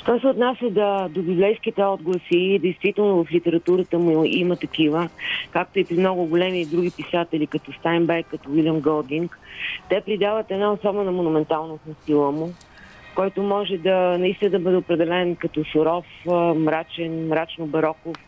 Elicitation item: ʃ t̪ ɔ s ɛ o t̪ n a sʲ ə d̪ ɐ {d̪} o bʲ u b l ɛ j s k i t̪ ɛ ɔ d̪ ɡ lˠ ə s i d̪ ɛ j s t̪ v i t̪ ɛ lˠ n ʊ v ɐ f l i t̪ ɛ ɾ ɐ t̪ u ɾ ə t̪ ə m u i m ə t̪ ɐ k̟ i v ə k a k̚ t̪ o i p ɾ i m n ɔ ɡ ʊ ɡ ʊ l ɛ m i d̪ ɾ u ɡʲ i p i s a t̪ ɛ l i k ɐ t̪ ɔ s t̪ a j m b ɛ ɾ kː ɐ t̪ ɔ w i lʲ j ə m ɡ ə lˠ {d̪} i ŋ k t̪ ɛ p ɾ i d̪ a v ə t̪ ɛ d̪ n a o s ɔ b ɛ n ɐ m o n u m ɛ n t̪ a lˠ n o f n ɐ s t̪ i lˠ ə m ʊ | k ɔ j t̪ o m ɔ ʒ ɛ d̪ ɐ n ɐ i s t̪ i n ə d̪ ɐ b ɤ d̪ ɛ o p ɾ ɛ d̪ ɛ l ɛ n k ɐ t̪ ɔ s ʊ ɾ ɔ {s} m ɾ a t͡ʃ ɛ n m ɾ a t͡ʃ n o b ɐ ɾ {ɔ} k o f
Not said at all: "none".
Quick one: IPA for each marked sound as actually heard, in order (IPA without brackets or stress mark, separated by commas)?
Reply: d̪, d̪, f, ɔ